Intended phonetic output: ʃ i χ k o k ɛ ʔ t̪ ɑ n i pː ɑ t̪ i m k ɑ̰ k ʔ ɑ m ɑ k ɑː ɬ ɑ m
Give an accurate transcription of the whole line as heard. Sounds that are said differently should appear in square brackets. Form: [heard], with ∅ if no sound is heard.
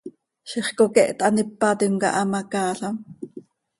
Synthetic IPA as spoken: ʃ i χ k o k ɛ ʔ t̪ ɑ n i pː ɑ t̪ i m k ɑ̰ [∅] ʔ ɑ m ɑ k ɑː ɬ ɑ m